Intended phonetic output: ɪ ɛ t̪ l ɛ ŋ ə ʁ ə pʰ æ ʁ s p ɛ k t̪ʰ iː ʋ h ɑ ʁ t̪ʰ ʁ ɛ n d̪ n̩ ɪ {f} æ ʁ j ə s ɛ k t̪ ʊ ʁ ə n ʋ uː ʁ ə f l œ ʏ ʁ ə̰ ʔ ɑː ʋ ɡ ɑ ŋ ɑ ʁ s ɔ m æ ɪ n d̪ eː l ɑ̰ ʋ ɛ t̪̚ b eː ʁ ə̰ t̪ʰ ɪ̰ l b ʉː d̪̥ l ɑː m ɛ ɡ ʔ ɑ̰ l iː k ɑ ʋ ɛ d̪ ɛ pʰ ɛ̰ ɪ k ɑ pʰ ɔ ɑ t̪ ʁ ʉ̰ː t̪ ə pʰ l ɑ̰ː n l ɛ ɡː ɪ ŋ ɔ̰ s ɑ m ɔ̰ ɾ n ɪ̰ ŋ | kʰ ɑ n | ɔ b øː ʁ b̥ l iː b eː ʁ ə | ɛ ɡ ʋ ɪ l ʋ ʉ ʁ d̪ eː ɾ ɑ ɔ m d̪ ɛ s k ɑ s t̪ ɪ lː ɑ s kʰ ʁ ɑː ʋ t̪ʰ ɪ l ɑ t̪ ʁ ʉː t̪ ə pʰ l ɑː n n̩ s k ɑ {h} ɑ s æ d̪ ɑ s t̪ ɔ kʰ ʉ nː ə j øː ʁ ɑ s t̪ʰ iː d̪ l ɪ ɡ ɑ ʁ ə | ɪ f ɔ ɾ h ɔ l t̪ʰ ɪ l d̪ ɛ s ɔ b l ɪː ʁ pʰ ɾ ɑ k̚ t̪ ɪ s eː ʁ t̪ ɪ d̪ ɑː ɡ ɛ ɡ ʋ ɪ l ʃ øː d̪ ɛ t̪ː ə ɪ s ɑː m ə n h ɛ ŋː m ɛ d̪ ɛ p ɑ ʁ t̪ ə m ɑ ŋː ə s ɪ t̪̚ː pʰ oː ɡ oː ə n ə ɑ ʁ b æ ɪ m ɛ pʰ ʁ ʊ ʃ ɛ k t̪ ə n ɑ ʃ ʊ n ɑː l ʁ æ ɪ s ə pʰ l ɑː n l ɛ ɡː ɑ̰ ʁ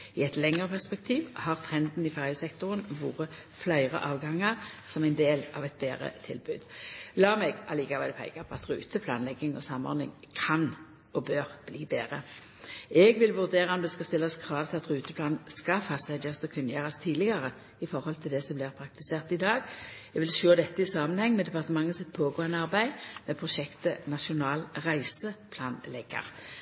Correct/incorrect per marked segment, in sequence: correct, incorrect: f

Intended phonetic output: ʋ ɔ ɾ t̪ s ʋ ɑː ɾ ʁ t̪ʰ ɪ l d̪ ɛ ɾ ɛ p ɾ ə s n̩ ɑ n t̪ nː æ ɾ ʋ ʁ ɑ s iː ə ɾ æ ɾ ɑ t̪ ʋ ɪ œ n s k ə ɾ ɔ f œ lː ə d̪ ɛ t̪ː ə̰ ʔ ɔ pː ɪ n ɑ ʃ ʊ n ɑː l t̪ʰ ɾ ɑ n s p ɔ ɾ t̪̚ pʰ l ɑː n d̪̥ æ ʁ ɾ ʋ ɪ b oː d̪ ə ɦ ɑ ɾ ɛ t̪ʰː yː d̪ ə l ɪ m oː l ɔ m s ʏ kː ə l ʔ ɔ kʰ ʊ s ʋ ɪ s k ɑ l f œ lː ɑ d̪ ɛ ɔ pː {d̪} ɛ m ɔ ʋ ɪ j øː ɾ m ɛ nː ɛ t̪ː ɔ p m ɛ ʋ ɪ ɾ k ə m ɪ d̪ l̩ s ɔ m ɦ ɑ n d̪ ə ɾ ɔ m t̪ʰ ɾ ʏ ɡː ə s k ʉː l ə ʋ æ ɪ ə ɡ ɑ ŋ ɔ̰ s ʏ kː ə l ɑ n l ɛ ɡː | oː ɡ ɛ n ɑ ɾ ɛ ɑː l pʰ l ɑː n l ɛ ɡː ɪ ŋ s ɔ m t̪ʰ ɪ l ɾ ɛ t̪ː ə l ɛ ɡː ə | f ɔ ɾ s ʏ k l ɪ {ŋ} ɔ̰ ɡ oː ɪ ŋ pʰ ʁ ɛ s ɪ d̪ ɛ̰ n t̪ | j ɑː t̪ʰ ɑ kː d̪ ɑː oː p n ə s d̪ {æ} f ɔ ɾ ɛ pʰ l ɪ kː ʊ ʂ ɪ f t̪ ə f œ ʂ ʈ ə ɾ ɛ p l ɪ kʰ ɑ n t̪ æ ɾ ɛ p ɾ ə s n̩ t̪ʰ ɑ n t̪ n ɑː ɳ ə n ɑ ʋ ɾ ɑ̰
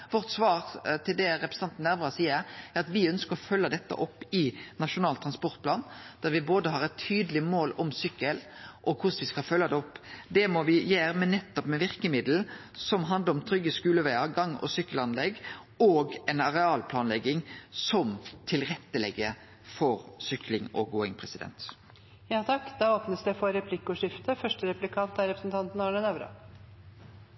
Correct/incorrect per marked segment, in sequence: correct, correct, incorrect: ɛ

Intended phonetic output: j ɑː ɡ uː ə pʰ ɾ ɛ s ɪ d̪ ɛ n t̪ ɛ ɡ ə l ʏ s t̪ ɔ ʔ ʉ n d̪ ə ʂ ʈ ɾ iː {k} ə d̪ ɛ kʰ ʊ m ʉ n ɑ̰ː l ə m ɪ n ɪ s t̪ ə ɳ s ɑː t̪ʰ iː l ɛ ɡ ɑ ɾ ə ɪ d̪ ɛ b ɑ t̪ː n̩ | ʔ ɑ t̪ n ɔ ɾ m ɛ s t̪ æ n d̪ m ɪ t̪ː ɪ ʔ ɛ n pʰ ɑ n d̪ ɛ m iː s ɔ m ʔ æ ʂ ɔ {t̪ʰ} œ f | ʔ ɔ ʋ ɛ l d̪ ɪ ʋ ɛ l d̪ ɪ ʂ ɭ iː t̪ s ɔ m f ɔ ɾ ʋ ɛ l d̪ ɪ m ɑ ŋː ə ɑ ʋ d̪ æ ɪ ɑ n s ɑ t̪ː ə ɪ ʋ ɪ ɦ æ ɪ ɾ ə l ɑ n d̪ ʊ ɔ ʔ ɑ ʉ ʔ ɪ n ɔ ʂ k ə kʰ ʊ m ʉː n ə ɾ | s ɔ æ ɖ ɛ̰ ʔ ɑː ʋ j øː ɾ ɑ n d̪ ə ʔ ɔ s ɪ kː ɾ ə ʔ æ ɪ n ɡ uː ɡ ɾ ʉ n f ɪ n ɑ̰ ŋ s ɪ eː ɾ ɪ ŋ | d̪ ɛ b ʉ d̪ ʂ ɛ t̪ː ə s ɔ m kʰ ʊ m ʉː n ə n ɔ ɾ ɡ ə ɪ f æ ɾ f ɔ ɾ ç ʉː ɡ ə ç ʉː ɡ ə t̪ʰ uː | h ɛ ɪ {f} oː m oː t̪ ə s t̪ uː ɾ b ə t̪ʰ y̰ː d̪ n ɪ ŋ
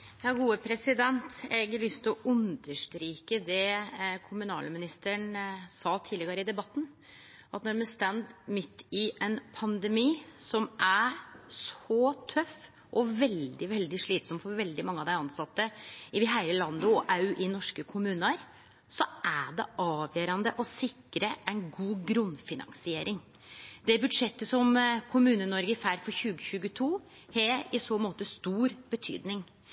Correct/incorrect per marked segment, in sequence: correct, correct, incorrect: s

